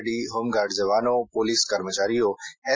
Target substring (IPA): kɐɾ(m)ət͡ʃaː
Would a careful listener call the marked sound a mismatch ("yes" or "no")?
no